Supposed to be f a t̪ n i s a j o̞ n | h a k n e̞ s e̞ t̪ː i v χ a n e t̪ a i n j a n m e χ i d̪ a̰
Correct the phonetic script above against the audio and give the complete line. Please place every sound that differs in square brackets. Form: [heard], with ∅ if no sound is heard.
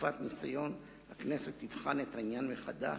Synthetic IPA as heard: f a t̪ n i s a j o̞ n | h a k n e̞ s e̞ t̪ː i v χ a n e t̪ a i n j a n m e χ [a] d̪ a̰